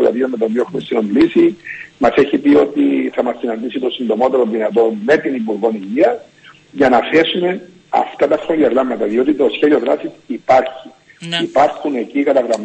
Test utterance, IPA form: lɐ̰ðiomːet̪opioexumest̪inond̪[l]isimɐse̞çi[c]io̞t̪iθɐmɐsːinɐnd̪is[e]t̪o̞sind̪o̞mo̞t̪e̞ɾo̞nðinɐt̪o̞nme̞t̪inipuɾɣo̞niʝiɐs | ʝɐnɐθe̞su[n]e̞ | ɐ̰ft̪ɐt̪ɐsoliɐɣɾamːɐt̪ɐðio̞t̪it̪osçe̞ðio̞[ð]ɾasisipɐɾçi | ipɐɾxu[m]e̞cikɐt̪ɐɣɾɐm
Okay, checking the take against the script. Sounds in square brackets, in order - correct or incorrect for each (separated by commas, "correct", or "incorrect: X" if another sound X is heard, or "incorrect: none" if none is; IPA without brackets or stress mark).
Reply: correct, incorrect: p, incorrect: i, incorrect: m, correct, incorrect: n